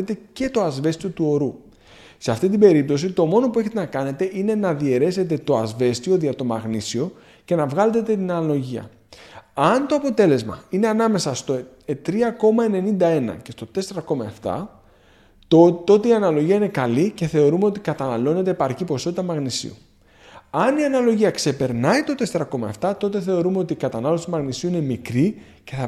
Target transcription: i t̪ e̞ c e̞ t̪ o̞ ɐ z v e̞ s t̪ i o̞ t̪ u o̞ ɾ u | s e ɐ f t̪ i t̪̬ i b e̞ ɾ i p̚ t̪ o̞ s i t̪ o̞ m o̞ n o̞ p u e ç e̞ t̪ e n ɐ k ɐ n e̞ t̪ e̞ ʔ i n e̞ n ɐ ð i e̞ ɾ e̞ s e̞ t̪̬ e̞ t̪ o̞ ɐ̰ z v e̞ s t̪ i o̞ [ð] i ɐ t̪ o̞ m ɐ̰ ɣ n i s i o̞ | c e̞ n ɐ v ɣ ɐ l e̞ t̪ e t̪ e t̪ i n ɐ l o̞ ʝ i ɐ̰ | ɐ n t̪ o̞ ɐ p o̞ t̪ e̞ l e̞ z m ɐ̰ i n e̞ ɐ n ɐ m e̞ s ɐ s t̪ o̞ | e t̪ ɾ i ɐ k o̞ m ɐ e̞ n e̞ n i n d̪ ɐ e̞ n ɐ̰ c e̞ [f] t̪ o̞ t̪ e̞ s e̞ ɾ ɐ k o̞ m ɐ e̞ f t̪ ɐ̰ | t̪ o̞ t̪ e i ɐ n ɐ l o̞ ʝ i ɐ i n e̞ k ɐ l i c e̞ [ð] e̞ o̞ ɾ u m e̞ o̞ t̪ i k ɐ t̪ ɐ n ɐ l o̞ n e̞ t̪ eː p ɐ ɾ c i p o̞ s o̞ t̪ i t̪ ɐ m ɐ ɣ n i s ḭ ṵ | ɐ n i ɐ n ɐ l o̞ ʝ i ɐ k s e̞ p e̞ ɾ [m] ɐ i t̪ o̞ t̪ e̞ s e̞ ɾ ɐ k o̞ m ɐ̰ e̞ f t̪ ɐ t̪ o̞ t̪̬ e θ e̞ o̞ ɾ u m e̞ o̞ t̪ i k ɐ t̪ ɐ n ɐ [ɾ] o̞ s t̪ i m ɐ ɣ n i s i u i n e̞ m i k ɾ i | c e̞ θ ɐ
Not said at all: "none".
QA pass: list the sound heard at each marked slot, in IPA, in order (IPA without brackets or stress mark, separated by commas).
ð, s, θ, n, l